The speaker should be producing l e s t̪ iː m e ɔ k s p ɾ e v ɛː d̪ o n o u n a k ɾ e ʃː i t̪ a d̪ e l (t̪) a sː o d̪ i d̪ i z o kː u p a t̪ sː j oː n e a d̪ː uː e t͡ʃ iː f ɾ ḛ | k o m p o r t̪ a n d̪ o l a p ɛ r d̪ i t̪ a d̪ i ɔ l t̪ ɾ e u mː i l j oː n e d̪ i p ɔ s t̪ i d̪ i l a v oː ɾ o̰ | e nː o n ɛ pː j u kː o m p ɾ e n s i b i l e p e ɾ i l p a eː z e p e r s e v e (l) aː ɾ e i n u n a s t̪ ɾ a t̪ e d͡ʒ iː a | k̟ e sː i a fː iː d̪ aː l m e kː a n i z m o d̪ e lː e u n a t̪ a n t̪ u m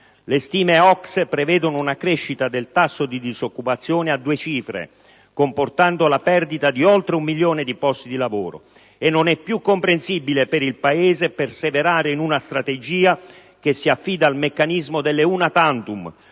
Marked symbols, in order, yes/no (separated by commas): yes, no